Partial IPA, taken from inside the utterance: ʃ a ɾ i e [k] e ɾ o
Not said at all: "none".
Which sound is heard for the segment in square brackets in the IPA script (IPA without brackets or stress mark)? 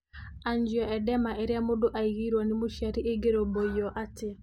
ɡ